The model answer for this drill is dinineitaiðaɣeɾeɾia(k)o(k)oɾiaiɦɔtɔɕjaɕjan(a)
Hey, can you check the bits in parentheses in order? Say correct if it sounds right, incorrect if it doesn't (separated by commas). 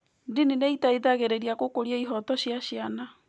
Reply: correct, correct, correct